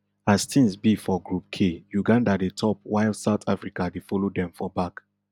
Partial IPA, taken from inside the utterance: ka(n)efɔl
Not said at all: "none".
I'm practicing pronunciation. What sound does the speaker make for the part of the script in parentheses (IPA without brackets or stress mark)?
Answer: d